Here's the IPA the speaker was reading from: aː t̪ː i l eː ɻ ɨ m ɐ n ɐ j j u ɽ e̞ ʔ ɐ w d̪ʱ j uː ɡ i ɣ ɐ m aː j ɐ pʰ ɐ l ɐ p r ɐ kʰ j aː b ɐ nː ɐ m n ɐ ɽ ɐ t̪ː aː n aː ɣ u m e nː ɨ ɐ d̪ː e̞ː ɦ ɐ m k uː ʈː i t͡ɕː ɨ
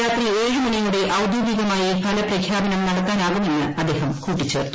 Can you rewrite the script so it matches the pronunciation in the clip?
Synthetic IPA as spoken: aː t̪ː i l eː ɻ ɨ m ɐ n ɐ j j u ɽ e̞ ʔ ɐ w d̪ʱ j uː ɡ i ɣ ɐ m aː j ɐ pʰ ɐ l ɐ p r ɐ kʰ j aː b ɐ n ɐ m n ɐ ɽ ɐ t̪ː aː n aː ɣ u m e nː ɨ ɐ d̪ː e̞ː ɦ ɐ m k uː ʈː i t͡ɕː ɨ